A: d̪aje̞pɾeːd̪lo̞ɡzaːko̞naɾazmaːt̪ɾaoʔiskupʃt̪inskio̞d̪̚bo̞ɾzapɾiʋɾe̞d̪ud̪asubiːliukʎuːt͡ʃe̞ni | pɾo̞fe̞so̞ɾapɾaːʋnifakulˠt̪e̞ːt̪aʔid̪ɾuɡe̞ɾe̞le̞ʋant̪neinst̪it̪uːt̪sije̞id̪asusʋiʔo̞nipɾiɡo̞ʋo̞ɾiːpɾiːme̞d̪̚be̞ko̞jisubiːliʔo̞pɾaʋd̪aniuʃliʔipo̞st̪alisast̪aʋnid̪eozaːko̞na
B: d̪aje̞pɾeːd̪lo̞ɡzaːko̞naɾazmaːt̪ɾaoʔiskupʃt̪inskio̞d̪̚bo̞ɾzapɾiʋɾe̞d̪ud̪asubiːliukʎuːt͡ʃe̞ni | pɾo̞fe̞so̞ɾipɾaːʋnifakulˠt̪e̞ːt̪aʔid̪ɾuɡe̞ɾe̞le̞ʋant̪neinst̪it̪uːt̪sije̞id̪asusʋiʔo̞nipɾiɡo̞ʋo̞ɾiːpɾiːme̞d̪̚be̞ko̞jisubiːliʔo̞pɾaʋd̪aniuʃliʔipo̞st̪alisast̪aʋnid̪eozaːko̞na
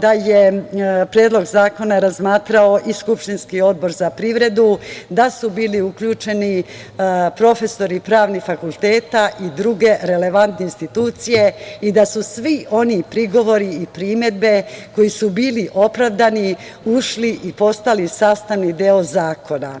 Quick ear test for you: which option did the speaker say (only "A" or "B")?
B